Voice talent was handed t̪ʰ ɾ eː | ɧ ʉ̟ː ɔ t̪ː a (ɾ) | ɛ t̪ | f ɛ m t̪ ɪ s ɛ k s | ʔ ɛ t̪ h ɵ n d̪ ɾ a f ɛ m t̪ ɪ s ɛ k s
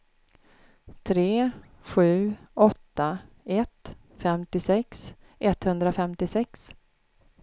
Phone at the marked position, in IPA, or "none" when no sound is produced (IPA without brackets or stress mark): none